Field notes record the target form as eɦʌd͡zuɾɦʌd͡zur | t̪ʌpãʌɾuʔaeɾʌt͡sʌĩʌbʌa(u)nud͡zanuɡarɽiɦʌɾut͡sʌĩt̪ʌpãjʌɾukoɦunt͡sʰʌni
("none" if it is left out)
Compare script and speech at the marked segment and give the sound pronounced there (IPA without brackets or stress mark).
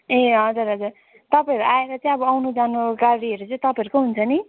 w